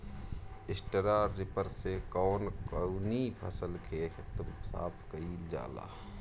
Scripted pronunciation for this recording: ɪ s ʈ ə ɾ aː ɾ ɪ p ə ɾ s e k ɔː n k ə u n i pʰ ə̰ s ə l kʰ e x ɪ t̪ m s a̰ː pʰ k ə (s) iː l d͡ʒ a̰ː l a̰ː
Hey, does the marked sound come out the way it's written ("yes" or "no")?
no